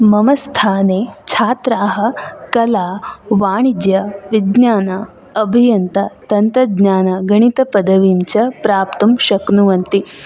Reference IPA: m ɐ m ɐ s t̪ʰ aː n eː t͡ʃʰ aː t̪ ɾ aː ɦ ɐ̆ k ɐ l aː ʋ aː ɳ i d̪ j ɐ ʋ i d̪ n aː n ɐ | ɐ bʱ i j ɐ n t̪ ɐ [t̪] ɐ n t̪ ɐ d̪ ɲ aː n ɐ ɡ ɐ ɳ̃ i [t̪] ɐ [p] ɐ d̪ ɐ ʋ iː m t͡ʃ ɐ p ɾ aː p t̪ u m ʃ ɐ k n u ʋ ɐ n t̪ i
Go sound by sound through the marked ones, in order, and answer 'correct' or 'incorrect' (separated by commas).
correct, correct, correct